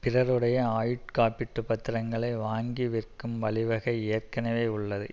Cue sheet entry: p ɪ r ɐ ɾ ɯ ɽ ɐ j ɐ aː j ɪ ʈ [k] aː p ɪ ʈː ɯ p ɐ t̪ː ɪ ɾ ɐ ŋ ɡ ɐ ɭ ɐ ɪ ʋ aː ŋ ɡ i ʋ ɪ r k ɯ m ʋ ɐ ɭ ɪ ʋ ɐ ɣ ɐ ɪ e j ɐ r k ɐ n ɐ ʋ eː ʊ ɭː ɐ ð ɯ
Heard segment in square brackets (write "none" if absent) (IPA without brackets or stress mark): k